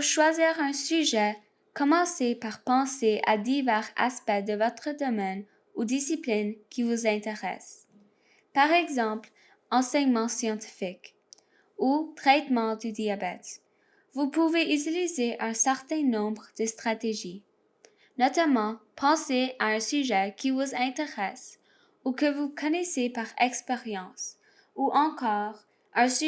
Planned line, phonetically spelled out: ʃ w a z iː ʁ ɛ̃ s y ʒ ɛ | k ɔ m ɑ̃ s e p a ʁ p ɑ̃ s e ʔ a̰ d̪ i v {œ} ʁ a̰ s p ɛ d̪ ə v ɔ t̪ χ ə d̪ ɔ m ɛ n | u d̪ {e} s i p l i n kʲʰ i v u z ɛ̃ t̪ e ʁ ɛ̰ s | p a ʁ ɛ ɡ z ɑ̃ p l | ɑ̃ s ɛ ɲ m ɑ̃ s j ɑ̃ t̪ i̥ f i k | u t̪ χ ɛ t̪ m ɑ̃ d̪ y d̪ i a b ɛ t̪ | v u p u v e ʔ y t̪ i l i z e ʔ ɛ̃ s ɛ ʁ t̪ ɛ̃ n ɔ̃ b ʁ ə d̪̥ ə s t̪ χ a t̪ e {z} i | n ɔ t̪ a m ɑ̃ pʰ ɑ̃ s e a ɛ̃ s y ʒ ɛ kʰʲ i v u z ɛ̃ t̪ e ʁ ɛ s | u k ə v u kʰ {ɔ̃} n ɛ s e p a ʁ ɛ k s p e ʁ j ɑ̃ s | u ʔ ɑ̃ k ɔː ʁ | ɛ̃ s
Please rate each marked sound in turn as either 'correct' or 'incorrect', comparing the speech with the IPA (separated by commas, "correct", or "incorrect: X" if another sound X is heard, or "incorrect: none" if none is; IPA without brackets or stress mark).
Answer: incorrect: ɛ, incorrect: i, incorrect: ʒ, incorrect: ɔ